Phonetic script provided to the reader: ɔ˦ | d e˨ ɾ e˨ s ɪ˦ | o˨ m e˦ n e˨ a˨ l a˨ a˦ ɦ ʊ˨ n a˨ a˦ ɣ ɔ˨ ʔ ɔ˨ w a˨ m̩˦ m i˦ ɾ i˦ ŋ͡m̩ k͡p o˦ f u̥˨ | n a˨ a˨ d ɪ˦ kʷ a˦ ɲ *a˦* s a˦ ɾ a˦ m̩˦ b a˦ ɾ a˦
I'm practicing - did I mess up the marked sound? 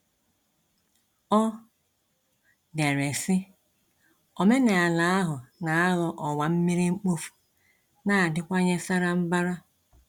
yes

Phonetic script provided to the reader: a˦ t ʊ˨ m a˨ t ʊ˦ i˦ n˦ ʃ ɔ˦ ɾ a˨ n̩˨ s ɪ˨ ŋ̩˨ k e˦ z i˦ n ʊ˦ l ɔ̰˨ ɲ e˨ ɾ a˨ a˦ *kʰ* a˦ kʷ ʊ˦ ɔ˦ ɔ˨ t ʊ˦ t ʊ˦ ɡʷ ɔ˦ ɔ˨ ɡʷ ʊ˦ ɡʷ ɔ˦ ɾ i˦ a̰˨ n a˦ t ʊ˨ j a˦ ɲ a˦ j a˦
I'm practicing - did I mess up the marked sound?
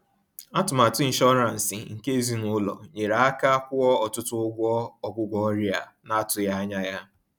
yes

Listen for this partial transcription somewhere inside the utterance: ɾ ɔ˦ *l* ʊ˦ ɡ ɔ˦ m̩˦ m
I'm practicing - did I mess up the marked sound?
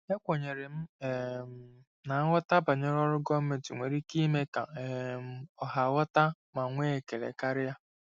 yes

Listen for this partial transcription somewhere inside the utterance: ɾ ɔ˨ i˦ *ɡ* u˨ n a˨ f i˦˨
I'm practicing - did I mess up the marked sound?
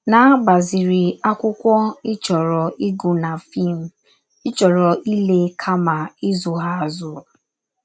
no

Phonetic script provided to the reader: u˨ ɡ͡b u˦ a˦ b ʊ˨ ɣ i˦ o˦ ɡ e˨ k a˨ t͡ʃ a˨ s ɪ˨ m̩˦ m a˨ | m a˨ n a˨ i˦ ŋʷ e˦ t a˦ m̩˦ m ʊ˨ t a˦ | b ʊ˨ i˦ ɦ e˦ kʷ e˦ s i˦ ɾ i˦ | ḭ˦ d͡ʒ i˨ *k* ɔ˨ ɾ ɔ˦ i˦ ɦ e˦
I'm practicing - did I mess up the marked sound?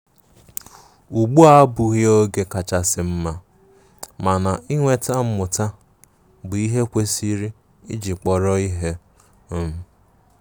yes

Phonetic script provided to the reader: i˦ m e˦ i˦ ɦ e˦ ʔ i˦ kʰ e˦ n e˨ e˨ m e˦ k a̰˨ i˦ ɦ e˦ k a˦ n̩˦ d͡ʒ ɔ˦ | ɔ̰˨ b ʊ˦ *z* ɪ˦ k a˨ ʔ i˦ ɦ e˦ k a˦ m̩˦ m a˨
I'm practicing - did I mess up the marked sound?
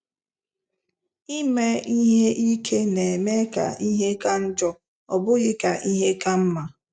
yes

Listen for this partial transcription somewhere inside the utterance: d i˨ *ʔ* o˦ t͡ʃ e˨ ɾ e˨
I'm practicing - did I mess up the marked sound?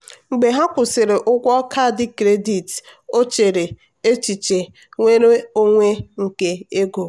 yes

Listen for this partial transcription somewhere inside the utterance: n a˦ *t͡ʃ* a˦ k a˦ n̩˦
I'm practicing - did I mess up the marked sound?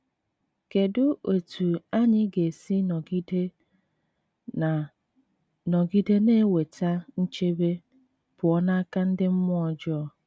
yes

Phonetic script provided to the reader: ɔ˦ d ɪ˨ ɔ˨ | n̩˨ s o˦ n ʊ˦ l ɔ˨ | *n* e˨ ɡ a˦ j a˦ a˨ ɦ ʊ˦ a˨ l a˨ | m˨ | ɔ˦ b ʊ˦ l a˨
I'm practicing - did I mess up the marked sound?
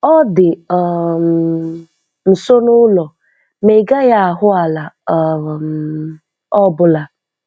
yes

